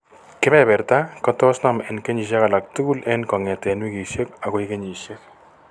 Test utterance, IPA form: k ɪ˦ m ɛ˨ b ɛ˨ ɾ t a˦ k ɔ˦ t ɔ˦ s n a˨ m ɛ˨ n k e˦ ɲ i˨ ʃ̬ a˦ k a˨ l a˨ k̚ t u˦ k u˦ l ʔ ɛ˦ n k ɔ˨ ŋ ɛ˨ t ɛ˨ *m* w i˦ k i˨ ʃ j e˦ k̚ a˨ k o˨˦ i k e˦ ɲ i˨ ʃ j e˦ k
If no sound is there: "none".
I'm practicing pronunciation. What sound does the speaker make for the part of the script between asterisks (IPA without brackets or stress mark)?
n